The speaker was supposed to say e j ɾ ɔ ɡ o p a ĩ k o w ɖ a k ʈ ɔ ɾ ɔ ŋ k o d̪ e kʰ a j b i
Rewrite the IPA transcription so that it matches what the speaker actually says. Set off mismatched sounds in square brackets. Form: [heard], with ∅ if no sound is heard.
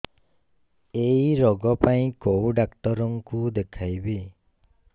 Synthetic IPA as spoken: e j ɾ ɔ ɡ [ɔ] p a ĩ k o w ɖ a k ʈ ɔ ɾ ɔ ŋ k [u] d̪ e kʰ a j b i